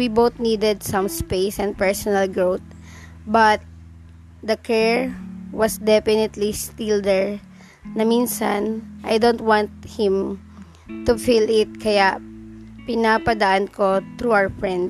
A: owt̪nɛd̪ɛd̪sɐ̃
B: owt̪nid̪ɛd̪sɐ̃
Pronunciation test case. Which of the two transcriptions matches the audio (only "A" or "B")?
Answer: B